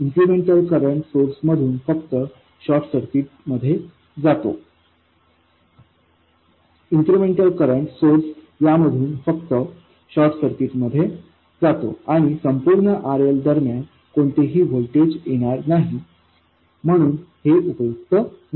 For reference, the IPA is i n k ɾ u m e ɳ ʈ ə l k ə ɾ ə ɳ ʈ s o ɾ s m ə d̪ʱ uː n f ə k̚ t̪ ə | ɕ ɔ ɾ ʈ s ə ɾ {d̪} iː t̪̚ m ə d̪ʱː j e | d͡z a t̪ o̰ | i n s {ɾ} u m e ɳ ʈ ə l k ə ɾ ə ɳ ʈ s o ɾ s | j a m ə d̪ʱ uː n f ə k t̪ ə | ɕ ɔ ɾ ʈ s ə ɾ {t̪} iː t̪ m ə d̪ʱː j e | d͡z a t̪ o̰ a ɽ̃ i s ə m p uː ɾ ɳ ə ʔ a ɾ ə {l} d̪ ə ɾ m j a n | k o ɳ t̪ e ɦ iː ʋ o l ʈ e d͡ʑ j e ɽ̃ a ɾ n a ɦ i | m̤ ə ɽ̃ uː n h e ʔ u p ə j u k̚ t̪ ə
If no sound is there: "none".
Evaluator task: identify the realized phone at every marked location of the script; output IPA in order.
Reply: t̪, ɾ, t̪, l

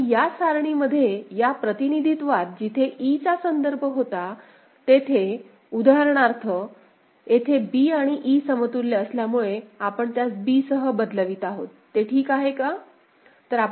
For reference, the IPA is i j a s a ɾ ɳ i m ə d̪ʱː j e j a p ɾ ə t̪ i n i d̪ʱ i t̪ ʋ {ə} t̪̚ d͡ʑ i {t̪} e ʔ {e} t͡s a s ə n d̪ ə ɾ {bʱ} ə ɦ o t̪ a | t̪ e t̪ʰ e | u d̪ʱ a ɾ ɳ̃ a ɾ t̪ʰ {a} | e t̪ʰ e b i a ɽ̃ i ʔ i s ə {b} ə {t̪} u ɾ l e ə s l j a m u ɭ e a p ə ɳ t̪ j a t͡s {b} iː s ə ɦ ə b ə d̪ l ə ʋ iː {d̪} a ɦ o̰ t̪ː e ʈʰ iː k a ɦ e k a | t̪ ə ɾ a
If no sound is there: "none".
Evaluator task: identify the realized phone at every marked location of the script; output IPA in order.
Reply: a, t̪ʰ, i, bʱ, ə, m, t̪, b, t̪

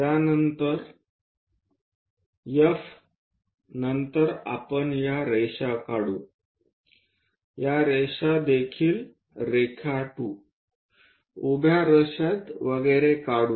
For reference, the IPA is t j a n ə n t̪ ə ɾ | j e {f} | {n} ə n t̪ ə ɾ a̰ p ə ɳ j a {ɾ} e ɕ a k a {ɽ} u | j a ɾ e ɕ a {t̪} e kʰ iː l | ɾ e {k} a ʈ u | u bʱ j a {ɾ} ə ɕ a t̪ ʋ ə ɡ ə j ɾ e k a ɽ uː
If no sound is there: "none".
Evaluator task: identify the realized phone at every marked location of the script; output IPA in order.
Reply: f, n, ɾ, ɽ, d̪, kʰ, ɾ

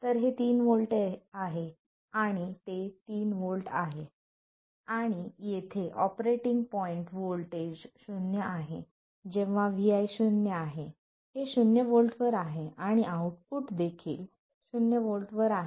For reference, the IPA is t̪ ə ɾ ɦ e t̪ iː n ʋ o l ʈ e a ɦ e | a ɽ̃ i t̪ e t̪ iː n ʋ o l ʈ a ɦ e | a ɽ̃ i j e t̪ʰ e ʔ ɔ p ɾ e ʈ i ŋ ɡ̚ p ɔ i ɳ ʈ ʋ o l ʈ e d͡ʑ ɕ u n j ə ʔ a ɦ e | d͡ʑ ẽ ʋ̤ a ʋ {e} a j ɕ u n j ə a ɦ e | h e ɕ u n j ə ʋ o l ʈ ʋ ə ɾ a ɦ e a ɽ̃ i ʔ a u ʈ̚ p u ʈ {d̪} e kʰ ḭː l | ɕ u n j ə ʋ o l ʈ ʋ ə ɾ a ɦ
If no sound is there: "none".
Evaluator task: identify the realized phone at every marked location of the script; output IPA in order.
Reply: i, d̪

